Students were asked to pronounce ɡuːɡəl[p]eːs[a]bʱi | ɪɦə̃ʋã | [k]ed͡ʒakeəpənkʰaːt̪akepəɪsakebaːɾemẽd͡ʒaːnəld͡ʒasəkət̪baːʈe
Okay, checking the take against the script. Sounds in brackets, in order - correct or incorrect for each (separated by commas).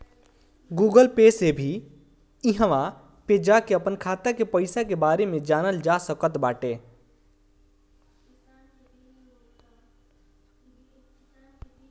correct, incorrect, incorrect